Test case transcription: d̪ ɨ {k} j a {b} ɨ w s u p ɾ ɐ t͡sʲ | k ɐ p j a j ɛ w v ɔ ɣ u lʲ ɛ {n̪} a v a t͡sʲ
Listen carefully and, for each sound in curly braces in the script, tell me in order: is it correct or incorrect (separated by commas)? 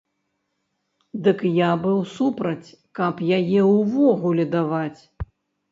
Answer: correct, correct, incorrect